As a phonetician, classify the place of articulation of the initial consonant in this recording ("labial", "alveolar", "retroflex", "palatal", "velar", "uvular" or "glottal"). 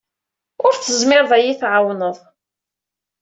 alveolar